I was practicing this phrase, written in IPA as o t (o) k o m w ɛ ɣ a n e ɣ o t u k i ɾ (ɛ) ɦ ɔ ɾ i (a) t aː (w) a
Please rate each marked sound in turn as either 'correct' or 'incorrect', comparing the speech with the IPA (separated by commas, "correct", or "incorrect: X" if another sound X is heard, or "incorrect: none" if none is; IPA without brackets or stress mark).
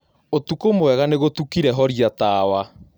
incorrect: u, correct, correct, correct